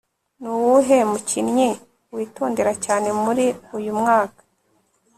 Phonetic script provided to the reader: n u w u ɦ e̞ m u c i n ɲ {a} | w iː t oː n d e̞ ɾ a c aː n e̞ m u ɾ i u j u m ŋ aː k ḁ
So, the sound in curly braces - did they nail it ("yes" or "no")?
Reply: no